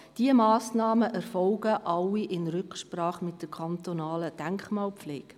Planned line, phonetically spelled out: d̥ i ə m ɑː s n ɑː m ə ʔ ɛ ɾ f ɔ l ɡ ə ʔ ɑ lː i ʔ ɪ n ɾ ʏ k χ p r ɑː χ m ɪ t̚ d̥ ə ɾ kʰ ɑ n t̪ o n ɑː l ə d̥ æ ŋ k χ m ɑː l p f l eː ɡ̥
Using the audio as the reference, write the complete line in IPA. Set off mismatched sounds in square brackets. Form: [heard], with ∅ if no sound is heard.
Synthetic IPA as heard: d̥ i ə m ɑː s n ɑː m ə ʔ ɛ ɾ f ɔ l ɡ ə ʔ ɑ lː i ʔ ɪ n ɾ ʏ k [ʃ] p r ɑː χ m ɪ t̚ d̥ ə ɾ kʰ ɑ n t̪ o n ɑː l ə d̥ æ ŋ k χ m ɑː l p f l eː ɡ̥